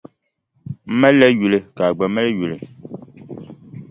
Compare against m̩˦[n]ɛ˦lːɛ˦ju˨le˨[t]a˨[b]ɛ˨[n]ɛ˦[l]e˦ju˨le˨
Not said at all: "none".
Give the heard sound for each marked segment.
m, k, ɡ͡b, m, l

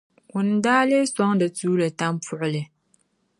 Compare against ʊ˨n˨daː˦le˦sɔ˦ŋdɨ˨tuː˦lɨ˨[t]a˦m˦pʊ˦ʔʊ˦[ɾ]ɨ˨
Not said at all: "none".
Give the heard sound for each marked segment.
t, l

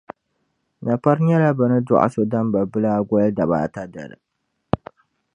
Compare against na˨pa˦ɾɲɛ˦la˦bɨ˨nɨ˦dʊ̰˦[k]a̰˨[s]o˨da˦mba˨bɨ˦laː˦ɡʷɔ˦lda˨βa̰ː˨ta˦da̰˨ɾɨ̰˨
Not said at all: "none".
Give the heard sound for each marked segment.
ʔ, s

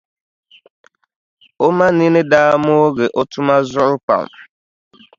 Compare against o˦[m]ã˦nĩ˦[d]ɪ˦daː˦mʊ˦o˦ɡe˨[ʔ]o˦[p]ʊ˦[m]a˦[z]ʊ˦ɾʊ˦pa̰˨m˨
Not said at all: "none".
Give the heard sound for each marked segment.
m, n, ʔ, t, m, z

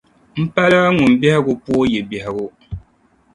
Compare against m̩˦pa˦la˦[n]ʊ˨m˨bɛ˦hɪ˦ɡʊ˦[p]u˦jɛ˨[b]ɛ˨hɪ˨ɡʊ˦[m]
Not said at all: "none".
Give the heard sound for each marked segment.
ŋ, p, b, none

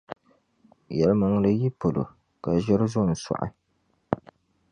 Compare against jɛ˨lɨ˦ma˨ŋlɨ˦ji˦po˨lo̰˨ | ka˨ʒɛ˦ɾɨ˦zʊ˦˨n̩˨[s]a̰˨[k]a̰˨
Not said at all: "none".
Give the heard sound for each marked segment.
s, ʔ

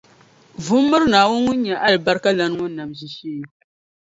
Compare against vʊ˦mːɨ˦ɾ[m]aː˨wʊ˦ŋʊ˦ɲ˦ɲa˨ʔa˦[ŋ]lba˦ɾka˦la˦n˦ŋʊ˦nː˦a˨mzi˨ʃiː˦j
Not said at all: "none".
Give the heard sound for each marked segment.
n, none

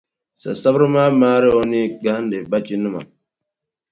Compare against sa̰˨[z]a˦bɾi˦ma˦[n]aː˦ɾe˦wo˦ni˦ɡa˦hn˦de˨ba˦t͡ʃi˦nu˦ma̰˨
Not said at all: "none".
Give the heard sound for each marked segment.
s, m

